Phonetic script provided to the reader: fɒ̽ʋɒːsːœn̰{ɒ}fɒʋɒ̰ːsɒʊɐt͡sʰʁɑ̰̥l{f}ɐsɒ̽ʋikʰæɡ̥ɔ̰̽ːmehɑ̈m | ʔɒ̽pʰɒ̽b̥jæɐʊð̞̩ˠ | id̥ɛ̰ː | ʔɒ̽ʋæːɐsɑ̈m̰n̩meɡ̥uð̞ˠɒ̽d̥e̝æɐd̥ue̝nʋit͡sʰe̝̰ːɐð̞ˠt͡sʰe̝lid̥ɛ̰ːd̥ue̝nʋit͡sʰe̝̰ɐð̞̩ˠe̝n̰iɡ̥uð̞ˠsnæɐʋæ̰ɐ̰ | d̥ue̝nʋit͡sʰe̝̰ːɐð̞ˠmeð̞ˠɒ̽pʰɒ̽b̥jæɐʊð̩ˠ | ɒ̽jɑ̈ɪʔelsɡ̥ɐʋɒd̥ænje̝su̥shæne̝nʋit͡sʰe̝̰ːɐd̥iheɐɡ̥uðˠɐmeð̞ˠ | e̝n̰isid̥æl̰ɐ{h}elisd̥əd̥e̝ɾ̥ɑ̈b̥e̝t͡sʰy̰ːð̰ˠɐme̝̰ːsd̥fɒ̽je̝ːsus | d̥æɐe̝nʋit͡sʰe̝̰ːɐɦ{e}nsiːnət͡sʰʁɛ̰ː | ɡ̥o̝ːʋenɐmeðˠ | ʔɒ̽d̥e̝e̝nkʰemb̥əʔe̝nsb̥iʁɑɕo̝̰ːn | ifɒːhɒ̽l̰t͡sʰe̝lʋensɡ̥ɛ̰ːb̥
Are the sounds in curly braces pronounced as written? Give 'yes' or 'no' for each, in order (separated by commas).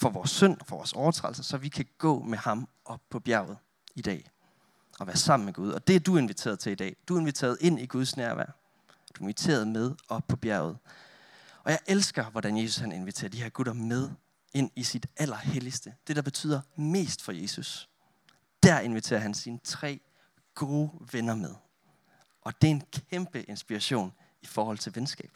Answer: yes, no, yes, no